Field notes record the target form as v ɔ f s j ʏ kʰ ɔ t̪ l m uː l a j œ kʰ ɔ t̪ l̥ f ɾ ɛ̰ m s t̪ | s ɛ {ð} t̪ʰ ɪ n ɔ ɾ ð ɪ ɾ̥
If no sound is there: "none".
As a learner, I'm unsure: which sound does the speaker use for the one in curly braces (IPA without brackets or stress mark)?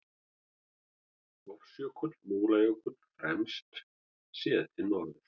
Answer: ð